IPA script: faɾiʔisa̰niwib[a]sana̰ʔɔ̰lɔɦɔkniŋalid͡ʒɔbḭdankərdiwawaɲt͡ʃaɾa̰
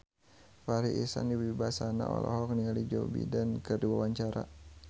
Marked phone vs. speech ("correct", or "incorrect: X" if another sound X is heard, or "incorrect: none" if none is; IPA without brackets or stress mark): correct